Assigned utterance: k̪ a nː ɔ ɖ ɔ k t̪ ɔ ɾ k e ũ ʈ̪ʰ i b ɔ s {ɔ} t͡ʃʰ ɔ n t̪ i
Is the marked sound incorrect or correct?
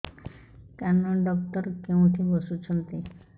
incorrect